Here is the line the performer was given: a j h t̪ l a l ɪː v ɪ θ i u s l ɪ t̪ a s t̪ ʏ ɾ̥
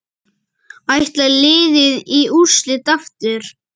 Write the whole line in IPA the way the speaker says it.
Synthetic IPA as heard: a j h t̪ l a l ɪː ð ɪ ð i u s l ɪ t̪ a f t̪ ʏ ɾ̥